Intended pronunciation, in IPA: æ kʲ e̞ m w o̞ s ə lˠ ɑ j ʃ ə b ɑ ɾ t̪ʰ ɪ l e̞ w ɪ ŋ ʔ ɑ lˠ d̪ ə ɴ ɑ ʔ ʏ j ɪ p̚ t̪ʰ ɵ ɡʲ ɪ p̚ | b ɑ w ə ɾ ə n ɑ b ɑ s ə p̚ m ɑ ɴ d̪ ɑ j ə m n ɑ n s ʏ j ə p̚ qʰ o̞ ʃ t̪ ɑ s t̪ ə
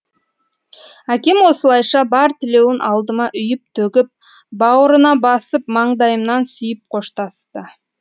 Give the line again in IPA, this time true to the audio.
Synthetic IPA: æ kʲ e̞ m w o̞ s ə lˠ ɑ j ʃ ɑ b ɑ ɾ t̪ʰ ɪ l e̞ w ɪ n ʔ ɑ lˠ d̪ ə m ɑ ʔ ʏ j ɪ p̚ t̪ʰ ɵ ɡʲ ɪ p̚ | b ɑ w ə ɾ ə n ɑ b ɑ s ə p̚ m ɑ ɴ d̪ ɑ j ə m n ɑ n s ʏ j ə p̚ qʰ o̞ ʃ t̪ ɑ s t̪ ə

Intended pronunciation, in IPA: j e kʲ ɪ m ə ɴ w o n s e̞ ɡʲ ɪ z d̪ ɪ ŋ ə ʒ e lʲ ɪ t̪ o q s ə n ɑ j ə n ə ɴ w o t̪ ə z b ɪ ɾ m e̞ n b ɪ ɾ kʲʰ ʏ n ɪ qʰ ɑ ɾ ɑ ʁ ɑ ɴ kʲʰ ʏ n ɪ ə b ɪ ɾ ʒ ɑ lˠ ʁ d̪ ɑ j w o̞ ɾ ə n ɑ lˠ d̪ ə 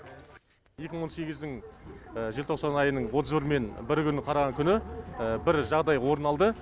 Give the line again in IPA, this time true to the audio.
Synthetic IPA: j e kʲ ɪ m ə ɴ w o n s e̞ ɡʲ ɪ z d̪ ɪ ŋ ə ʒ e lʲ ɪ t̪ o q s ɑ n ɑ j ə n ə ɴ w o t̪ ə z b ɪ ɾ m e̞ n b ɪ ɾ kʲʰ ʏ n ɪ qʰ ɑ ɾ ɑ ʁ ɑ ŋ kʲʰ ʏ n ɪ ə b ɪ ɾ ʒ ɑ ʁ d̪ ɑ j w o̞ ɾ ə n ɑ lˠ d̪ ə

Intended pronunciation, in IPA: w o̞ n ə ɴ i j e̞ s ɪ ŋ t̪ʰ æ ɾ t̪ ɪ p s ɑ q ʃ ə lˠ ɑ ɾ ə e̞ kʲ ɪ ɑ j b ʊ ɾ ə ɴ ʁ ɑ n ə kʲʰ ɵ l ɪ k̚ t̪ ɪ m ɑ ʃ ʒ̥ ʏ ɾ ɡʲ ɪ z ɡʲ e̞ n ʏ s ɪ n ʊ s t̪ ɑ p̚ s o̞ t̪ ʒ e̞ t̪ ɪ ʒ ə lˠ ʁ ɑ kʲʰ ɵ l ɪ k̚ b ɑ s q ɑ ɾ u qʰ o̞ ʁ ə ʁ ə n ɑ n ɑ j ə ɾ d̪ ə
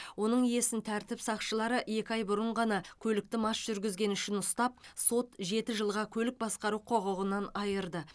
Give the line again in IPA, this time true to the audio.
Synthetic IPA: w o̞ n ə ɴ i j e̞ s ɪ n t̪ʰ æ ɾ t̪ ɪ p s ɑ q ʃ ə lˠ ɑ ɾ ə e̞ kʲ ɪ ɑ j b ʊ ɾ ə ɴ ʁ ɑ n ɑ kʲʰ ɵ l ɪ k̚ t̪ ɪ m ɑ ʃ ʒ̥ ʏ ɾ ɡʲ ɪ z ɡʲ e̞ n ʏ ʃ ɪ n ʊ s t̪ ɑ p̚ s o̞ t̪ ʒ e̞ t̪ ɪ ʒ ə lˠ ʁ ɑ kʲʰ ɵ l ɪ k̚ b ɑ s q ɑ ɾ u qʰ o̞ ʁ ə ʁ ə n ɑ n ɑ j ə ɾ d̪ ə

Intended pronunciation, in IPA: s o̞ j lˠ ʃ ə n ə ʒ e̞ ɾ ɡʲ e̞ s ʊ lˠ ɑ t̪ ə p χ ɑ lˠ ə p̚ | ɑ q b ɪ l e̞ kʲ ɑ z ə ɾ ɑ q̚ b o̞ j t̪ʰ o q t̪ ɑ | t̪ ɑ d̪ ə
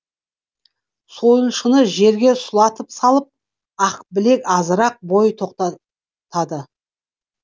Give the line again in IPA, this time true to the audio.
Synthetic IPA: s o̞ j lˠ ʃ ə n ə ʒ e̞ ɾ ɡʲ e̞ s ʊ lˠ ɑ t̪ ə p s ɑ lˠ ə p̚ | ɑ q b ɪ l e̞ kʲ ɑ z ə ɾ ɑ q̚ b o̞ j t̪ʰ o q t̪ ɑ | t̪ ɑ d̪ ə

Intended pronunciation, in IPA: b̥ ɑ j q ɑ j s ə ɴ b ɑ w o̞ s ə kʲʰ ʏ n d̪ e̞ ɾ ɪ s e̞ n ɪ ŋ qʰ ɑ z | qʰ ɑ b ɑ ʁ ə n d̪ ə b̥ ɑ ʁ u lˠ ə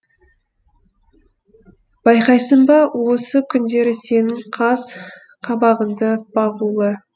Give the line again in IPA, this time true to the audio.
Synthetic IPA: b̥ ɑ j q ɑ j s ə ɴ b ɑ w o̞ s ə kʲʰ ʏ n d̪ e̞ ɾ ɪ s e̞ n ɪ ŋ qʰ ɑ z | qʰ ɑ b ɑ ʁ ə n d̪ ə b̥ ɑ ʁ u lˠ ə

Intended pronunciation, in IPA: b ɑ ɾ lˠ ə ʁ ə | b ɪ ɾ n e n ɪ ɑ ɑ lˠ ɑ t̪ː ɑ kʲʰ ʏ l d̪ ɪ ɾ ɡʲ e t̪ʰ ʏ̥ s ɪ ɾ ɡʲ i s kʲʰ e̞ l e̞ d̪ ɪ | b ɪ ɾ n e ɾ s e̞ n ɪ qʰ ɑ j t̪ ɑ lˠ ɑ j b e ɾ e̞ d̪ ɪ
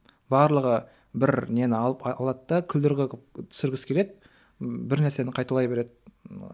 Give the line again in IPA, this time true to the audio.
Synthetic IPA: b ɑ ɾ lˠ ə ʁ ə | b ɪ ɾ n e n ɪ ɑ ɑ lˠ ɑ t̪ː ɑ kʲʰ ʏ l d̪ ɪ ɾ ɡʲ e t̪ʰ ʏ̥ s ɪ ɾ ɡʲ ɪ s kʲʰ e̞ l e̞ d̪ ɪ | b ɪ ɾ n æ ɾ s e̞ n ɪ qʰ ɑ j t̪ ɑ lˠ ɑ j b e ɾ e̞ d̪ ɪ

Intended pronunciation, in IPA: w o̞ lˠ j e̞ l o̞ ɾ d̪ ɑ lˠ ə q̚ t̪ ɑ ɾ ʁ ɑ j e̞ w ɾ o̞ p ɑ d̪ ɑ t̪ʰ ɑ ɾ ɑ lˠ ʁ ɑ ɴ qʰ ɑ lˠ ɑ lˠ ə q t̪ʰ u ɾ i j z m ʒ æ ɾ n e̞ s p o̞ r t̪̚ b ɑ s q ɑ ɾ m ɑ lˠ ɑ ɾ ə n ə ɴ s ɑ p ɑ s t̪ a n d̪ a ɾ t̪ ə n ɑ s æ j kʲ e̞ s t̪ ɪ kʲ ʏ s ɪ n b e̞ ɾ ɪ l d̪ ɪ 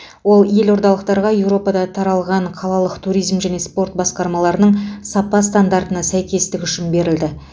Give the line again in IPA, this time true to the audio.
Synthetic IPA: w o̞ lˠ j e̞ l o̞ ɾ d̪ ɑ lˠ ə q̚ t̪ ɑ ɾ ʁ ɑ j e̞ w ɾ o̞ p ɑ d̪ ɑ t̪ʰ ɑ ɾ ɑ lˠ ʁ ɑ ɴ qʰ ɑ lˠ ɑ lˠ ə q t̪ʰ u ɾ i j z m ʒ æ n e̞ s p o̞ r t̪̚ b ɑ s q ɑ ɾ m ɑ lˠ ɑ ɾ ə n ə ɴ s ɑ p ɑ s t̪ a n d̪ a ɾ t̪ ə n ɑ s æ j kʲ e̞ s t̪ ɪ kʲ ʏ ʃ ɪ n b e̞ ɾ ɪ l d̪ ɪ

